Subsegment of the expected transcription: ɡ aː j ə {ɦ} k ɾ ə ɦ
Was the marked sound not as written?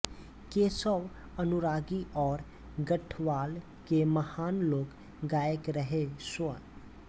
yes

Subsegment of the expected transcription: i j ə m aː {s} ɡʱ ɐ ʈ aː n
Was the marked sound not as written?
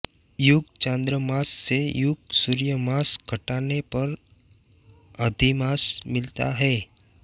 no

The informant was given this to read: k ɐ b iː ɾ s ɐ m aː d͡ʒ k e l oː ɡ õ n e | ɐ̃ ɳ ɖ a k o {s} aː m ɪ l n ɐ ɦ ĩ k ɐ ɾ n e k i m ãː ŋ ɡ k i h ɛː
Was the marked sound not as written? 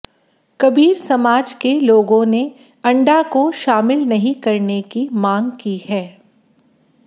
yes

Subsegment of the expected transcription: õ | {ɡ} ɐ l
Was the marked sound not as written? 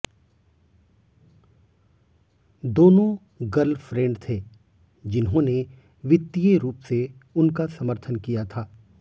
no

